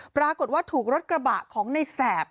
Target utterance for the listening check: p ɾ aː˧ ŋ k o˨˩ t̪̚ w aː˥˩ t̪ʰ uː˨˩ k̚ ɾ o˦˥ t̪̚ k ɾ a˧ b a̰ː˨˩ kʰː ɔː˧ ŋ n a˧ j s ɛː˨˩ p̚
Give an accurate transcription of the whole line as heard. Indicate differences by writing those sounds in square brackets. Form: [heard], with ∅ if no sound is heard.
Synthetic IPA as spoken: p ɾ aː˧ [∅] k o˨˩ t̪̚ w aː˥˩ t̪ʰ uː˨˩ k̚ ɾ o˦˥ t̪̚ k ɾ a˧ b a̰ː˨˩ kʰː [ɔː˩˦] ŋ n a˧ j s ɛː˨˩ p̚